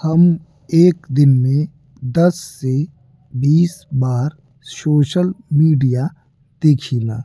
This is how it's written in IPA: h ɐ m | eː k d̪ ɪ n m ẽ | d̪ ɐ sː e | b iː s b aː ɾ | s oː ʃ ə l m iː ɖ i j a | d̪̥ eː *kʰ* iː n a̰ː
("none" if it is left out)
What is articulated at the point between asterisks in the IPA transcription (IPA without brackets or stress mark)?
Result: kʰ